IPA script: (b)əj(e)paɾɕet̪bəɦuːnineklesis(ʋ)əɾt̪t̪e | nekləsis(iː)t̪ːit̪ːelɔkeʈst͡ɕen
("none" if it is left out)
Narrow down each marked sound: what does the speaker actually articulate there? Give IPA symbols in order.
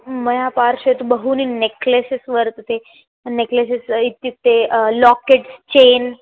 m, a, ʋ, i

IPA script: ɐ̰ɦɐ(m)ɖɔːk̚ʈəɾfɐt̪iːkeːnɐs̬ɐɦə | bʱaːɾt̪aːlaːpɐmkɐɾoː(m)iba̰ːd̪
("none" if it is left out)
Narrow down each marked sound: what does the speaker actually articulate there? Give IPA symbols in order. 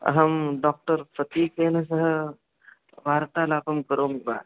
m, m

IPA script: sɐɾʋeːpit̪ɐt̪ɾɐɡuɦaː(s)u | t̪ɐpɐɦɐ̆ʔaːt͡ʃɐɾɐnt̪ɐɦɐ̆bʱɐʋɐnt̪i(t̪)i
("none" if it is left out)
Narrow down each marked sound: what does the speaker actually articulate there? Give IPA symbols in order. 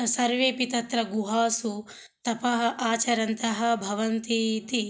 s, t̪

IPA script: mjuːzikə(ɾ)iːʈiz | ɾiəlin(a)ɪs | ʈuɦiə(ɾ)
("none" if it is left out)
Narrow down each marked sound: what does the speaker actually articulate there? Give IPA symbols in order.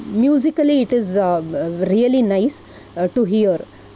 l, a, ɾ

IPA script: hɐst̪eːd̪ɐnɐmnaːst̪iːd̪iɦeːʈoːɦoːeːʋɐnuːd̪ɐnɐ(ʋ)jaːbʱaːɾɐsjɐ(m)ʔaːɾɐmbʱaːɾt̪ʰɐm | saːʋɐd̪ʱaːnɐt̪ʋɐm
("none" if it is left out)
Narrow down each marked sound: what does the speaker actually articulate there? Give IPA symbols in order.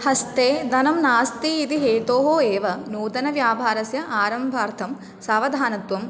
ʋ, none

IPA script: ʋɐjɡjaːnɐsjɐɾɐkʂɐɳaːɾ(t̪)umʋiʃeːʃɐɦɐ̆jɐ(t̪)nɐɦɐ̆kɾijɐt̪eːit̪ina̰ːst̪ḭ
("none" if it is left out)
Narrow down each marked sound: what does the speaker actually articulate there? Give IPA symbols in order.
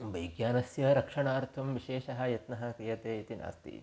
t̪ʰ, t̪

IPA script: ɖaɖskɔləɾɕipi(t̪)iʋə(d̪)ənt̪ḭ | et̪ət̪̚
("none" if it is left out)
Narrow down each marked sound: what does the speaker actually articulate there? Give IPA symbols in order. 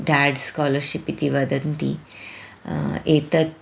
t̪, d̪

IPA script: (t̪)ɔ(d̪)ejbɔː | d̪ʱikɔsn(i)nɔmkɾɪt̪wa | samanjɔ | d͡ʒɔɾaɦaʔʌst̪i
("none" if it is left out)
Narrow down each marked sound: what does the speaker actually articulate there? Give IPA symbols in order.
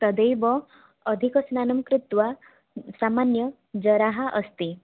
t̪, d̪, a

